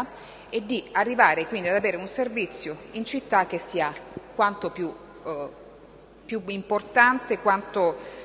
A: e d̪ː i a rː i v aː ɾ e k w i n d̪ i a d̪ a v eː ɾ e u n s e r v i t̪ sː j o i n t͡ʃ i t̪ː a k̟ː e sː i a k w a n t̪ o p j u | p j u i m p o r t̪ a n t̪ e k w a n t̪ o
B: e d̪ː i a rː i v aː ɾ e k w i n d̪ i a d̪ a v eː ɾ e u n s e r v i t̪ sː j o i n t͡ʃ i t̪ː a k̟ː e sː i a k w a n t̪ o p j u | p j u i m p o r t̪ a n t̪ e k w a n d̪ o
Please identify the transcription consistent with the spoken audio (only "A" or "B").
A